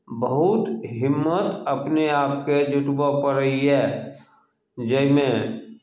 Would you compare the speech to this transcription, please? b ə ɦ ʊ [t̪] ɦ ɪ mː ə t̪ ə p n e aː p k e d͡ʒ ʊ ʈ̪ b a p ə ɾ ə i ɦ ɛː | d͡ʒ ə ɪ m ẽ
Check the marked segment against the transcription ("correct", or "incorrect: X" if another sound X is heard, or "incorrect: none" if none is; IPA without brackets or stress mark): correct